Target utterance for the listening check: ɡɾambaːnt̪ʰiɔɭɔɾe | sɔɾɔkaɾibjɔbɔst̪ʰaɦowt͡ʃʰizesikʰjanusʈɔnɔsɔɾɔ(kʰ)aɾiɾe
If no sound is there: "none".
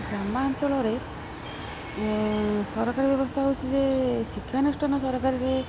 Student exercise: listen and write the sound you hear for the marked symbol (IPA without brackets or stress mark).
k